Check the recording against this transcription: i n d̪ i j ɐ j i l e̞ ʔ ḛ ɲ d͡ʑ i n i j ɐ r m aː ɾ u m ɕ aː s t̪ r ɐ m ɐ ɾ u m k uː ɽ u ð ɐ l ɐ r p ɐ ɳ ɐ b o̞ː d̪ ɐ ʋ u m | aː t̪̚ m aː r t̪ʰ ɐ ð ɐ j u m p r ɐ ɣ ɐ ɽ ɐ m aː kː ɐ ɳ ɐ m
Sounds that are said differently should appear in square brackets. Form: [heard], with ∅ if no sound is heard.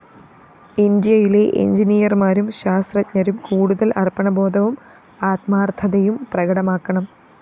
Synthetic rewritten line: i n d̪ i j ɐ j i l e̞ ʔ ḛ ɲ d͡ʑ i n i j ɐ r m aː ɾ u m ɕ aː s t̪ r ɐ [ɲ] ɐ ɾ u m k uː ɽ u ð ɐ l ɐ r p ɐ ɳ ɐ b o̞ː d̪ ɐ ʋ u m | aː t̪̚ m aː r t̪ʰ ɐ ð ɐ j u m p r ɐ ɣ ɐ ɽ ɐ m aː kː ɐ ɳ ɐ m